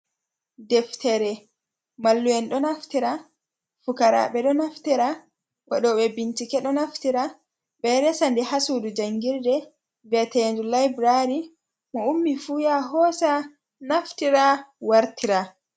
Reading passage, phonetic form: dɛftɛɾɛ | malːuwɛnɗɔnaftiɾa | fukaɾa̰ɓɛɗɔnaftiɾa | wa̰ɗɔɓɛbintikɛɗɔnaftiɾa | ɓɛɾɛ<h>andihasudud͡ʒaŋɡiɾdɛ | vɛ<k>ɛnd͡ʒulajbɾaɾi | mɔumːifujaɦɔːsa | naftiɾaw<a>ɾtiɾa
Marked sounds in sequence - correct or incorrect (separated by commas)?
incorrect, incorrect, correct